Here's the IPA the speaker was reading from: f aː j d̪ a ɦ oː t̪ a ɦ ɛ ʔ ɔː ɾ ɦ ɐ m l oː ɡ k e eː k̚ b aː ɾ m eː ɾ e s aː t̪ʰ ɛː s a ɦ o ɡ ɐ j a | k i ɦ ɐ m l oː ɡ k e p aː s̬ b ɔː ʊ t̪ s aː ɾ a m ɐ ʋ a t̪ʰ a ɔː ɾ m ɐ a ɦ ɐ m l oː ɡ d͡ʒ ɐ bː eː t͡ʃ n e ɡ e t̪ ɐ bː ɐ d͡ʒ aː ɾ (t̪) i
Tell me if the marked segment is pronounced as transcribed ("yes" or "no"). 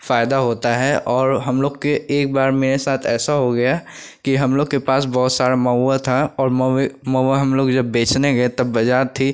no